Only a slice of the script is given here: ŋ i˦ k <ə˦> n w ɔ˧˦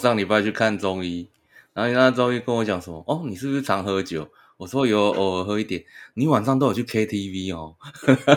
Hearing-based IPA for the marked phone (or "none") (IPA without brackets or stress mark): ə˦